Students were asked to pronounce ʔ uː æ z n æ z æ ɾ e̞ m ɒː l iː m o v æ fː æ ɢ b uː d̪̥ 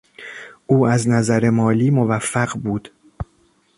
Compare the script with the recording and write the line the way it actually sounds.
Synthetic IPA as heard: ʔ uː æ z n æ z æ ɾ e̞ m ɒː l iː m o v æ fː æ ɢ b uː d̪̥